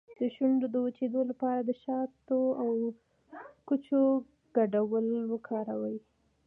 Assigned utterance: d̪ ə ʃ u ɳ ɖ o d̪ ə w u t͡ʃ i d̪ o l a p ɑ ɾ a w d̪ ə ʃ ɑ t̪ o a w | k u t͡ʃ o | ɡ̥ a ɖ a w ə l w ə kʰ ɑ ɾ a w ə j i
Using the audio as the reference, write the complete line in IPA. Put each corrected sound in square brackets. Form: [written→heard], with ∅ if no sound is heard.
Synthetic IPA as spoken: d̪ ə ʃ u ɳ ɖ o d̪ ə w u t͡ʃ [i→e] d̪ o l a p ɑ ɾ a [w→∅] d̪ ə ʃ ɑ t̪ o a w | k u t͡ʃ o | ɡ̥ a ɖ a w ə l w ə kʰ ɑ ɾ a w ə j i